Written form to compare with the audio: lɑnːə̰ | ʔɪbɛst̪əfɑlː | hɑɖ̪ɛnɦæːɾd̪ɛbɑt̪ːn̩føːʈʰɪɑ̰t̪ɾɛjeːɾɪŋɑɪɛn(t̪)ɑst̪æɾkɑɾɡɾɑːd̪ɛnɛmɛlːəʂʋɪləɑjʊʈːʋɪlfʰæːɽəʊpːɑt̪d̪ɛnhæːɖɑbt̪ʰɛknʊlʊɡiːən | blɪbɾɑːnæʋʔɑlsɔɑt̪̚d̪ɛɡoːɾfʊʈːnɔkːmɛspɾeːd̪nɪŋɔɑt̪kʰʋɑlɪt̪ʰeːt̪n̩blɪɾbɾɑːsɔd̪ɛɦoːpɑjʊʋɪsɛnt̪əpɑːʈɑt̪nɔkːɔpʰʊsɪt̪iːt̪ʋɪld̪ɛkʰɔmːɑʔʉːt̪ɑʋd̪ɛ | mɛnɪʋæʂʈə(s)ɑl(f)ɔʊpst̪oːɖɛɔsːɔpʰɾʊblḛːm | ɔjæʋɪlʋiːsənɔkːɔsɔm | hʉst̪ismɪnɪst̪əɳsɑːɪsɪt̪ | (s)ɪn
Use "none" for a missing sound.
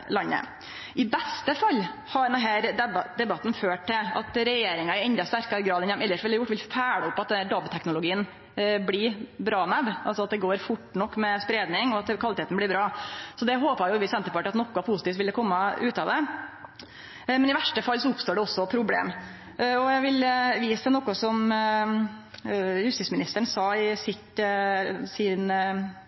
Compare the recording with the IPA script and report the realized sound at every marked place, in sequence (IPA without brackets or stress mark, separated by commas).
d̪, f, s, s